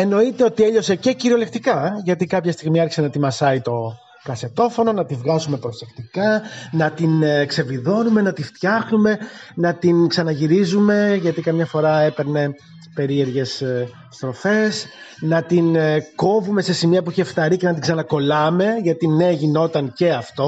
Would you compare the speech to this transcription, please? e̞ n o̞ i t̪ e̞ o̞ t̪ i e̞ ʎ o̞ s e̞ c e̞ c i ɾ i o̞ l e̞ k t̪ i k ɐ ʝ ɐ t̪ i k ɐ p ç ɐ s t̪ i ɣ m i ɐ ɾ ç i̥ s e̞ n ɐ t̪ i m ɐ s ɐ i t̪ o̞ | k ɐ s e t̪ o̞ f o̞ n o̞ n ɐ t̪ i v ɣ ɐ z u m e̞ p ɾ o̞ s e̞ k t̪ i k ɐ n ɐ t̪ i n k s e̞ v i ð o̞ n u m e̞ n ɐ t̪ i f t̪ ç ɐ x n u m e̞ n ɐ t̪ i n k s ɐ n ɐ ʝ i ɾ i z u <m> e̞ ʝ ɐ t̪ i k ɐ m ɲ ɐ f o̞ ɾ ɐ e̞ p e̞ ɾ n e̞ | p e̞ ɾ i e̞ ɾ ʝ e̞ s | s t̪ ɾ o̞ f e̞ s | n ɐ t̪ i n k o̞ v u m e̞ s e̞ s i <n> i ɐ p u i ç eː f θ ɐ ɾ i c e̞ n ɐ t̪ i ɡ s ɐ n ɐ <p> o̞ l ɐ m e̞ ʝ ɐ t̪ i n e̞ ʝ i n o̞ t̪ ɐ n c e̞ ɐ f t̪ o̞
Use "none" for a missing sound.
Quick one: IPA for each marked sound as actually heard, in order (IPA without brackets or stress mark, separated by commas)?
m, m, k